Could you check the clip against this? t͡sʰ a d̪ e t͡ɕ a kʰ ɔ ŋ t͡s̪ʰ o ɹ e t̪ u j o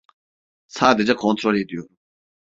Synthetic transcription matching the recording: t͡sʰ a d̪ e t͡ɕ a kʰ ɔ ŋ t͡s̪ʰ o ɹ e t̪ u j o